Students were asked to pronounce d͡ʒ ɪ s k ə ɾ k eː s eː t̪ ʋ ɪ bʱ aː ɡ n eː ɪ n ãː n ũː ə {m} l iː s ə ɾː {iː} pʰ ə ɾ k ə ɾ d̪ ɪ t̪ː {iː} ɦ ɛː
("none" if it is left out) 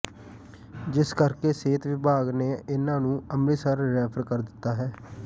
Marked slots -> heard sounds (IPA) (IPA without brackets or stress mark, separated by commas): m, ɛː, aː